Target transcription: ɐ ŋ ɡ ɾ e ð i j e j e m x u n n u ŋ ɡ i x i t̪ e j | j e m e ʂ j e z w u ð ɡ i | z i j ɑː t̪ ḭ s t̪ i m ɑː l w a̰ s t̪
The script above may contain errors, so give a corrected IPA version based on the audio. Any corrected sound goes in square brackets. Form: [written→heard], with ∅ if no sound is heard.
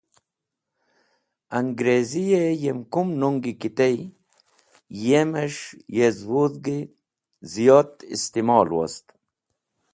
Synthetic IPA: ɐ ŋ ɡ ɾ e [ð→z] i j e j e m [x→k] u [n→m] n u ŋ ɡ i [x→k] i t̪ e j | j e m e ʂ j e z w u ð ɡ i | z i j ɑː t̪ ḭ s t̪ i m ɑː l w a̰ s t̪